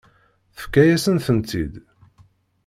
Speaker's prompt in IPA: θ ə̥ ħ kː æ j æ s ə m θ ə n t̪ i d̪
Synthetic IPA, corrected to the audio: θ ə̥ f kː æ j æ s ə n θ ə n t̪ i d̪